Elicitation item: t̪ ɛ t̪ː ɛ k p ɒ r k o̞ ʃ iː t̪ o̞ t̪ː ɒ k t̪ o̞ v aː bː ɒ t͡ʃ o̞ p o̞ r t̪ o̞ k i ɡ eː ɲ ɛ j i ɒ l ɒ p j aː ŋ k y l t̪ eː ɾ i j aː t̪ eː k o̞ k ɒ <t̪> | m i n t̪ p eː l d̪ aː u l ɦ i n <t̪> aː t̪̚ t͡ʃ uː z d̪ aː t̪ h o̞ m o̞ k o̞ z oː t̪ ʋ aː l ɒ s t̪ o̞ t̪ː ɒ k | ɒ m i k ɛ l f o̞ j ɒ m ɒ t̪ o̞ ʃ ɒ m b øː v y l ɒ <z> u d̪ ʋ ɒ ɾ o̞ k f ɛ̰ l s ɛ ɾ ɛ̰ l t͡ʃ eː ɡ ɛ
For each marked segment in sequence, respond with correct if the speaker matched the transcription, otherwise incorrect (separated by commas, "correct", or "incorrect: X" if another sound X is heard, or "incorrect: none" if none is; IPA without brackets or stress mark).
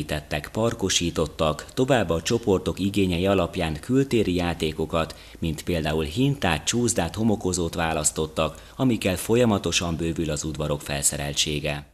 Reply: correct, correct, correct